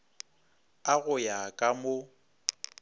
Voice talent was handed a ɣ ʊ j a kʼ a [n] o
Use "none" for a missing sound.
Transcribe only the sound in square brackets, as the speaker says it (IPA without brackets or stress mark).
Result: m